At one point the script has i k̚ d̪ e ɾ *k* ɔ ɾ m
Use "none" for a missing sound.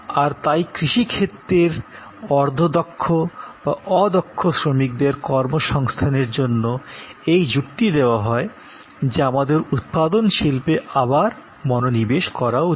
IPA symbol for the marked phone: k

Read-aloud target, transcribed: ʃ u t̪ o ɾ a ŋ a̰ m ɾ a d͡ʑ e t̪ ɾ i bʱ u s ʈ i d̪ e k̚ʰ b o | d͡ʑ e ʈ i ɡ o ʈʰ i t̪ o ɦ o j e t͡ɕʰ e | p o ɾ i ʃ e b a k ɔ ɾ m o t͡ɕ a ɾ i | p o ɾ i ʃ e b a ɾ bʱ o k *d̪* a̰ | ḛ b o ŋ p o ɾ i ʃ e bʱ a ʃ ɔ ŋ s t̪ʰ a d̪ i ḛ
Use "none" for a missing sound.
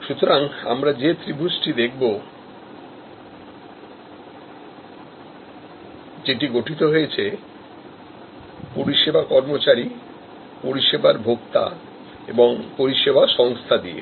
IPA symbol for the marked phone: t̪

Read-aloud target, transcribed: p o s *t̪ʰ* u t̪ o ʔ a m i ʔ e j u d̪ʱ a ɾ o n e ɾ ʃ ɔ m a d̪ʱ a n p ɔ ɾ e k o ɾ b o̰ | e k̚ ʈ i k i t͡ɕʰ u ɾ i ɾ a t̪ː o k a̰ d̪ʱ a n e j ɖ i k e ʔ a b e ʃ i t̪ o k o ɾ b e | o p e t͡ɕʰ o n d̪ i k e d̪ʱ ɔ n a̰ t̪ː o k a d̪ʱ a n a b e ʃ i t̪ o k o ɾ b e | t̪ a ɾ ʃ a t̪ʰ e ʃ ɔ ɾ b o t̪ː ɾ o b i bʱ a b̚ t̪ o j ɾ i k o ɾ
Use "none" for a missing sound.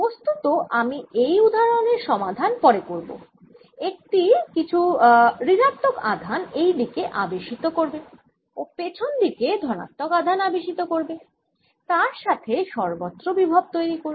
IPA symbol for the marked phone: t̪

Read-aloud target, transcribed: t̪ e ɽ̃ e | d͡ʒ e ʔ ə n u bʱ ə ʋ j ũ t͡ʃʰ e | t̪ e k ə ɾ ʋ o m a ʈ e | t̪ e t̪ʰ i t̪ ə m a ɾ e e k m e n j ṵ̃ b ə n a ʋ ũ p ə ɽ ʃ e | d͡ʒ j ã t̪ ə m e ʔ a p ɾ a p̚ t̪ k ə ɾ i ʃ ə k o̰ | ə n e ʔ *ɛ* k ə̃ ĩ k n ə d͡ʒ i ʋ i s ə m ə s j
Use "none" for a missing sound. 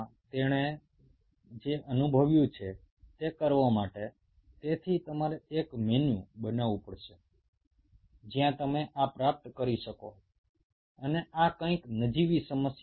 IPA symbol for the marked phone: a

